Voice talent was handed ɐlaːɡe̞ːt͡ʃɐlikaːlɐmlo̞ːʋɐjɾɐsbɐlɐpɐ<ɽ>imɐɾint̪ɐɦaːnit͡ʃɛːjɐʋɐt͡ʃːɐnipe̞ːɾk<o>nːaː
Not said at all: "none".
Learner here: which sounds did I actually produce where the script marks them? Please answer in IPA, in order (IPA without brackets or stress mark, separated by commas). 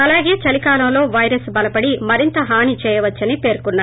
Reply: ɽ, u